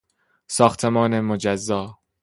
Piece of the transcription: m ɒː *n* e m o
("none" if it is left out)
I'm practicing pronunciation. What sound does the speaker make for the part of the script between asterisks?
n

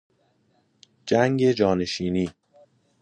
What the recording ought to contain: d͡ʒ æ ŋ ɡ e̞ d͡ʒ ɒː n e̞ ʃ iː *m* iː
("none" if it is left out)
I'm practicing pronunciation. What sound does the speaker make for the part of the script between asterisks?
n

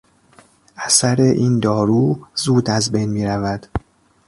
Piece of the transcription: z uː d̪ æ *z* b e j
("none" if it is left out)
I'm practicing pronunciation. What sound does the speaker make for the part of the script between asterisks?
z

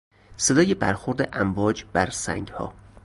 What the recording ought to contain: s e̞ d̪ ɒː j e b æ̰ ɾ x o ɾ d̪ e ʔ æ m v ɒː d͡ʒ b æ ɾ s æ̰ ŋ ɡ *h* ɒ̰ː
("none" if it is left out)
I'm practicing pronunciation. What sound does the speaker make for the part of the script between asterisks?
h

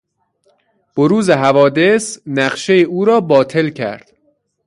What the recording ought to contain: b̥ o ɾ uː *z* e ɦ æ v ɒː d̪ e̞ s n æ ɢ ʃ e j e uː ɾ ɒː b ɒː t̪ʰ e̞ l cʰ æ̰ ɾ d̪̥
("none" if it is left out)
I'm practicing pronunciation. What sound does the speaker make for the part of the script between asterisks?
z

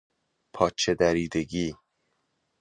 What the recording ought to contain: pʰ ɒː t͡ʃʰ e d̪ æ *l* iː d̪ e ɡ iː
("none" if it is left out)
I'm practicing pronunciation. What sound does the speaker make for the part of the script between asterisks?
ɾ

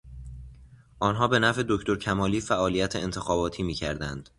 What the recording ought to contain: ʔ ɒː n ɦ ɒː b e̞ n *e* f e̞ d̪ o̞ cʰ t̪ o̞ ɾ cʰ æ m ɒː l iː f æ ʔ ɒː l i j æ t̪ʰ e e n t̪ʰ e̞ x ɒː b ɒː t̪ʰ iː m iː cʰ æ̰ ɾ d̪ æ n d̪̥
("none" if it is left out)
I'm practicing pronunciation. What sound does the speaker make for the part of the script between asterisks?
æ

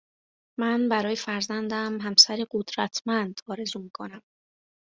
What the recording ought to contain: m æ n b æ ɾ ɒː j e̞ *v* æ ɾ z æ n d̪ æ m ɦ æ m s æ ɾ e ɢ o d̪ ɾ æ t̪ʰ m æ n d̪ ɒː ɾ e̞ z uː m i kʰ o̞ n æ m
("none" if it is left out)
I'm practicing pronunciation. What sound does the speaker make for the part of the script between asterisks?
f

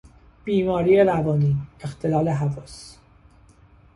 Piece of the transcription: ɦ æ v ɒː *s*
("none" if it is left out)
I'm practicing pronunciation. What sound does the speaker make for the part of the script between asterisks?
s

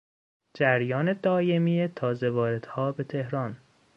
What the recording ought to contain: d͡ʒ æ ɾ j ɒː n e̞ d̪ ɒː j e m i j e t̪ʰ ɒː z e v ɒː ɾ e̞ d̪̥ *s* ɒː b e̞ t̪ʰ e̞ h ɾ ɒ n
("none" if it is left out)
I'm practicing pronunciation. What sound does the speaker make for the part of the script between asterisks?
h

